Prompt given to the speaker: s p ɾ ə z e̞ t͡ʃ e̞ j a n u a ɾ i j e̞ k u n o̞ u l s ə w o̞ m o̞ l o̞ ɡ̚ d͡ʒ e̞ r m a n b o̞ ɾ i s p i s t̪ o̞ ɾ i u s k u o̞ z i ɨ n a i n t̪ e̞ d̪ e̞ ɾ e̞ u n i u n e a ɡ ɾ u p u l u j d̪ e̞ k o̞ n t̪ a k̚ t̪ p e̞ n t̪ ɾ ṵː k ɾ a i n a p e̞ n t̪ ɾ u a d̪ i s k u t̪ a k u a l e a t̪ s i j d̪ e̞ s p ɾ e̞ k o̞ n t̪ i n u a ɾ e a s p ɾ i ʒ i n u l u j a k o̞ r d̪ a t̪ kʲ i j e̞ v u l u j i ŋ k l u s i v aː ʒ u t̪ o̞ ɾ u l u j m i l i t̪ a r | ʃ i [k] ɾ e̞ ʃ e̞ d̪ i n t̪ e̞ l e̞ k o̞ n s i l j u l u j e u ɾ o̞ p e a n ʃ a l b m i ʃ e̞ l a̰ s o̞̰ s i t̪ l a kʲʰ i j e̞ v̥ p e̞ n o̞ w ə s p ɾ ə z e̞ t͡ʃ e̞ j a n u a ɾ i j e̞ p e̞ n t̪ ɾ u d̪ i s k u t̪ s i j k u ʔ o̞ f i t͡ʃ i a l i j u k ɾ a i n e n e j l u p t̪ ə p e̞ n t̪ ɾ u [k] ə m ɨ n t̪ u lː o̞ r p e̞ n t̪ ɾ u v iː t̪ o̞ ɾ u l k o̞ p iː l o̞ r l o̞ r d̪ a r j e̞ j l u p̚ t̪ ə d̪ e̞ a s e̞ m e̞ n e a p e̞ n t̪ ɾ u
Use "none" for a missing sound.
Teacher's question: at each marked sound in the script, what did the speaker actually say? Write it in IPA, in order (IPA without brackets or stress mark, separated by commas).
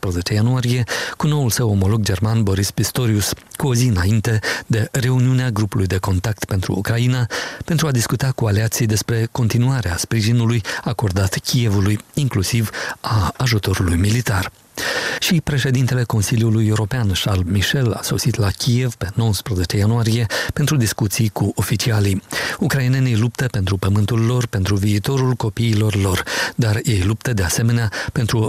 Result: p, p